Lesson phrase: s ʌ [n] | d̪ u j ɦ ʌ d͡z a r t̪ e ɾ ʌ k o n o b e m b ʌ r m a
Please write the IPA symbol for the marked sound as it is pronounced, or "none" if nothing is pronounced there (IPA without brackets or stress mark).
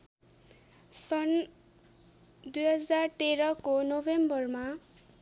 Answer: n